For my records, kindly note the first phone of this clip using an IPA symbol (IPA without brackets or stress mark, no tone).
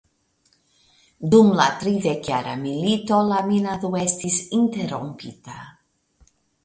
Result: d̪